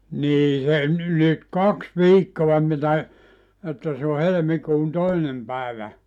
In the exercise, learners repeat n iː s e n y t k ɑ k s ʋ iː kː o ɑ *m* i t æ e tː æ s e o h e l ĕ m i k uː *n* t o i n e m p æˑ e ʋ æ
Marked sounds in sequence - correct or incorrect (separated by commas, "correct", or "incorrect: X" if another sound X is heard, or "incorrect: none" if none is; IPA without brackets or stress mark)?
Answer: correct, correct